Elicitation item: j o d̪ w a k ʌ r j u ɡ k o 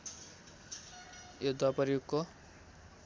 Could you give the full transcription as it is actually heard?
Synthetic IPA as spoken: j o d̪ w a p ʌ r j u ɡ k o